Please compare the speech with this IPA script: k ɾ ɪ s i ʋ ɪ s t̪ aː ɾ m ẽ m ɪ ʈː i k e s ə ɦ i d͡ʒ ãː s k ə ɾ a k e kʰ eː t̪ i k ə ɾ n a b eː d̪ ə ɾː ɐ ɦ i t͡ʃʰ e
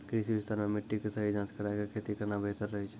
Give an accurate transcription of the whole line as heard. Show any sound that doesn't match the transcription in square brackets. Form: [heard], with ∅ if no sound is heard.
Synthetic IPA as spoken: k ɾ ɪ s i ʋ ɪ s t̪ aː ɾ m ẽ m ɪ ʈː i k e s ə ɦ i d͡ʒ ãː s k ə ɾ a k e kʰ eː t̪ i k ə ɾ n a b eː [t̪] ə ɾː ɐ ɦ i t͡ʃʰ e